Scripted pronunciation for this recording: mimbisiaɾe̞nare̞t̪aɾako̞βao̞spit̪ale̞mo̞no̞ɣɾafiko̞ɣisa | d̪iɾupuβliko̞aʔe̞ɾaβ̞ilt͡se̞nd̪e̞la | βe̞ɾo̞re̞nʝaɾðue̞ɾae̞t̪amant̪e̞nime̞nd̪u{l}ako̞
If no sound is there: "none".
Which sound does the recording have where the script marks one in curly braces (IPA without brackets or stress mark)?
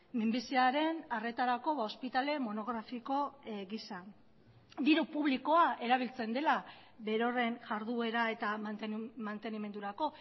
ɾ